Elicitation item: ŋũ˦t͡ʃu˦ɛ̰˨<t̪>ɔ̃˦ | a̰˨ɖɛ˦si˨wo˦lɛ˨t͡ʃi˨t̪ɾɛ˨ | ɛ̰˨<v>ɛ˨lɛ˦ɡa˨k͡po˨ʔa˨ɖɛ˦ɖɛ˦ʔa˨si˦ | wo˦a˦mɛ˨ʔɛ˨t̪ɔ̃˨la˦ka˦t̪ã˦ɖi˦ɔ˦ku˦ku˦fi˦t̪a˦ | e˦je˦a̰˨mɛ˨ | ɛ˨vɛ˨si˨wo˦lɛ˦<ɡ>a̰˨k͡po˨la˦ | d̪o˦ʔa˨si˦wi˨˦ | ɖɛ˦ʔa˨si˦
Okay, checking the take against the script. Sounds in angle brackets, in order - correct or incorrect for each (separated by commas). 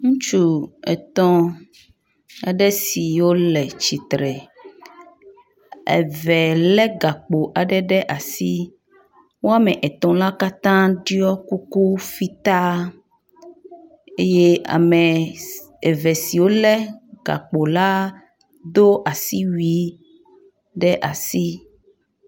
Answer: correct, correct, correct